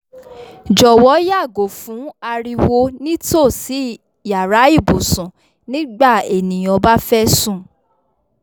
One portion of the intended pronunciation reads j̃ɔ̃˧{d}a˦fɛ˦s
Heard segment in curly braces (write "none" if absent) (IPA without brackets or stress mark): b